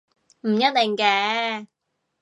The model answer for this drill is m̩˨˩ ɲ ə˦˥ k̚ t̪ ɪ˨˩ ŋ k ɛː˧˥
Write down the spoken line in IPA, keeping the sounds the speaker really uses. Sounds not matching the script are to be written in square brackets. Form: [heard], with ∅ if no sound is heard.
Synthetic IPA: m̩˨˩ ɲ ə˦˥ [t̚] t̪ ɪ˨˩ ŋ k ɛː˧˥